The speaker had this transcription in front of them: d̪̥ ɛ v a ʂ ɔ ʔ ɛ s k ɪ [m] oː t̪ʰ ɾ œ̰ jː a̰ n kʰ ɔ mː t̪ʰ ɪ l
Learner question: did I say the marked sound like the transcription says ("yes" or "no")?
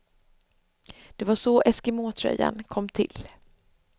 yes